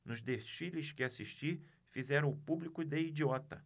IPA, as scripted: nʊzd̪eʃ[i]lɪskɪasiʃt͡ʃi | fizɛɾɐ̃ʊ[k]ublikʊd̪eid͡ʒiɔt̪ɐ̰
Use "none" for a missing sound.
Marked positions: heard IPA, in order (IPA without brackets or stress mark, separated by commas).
i, p